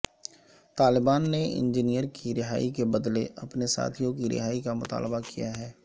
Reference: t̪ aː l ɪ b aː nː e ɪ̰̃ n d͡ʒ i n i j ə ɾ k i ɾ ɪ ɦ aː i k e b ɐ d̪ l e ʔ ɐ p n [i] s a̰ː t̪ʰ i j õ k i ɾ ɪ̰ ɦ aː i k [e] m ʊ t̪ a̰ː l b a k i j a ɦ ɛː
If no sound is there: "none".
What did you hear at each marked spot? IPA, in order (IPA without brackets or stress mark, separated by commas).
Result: e, a